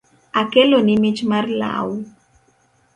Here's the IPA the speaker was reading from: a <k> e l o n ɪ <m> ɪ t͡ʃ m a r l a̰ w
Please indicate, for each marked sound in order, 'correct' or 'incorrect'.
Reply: correct, correct

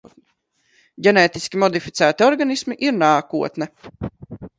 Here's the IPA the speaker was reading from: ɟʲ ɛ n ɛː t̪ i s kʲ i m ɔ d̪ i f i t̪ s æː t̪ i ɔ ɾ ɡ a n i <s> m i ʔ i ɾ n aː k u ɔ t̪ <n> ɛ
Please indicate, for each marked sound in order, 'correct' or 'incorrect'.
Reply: correct, correct

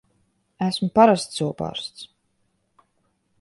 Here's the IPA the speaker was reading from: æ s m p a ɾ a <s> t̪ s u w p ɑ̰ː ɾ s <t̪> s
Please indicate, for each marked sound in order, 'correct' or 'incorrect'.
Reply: correct, correct

